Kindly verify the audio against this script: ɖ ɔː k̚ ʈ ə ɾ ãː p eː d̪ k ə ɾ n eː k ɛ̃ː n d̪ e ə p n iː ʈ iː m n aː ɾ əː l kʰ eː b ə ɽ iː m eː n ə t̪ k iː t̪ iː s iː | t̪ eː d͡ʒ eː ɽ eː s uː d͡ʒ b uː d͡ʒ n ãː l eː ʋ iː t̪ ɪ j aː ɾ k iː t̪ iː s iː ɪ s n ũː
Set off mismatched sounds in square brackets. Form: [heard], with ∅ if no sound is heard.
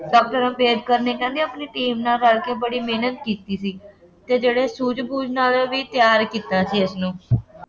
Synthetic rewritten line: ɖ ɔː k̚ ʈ ə ɾ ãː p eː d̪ k ə ɾ n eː k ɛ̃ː n d̪ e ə p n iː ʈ iː m n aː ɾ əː l [k] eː b ə ɽ iː m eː n ə t̪ k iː t̪ iː s iː | t̪ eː d͡ʒ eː ɽ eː s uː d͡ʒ b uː d͡ʒ n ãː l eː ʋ iː t̪ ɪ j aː ɾ k iː t̪ [aː] s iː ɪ s n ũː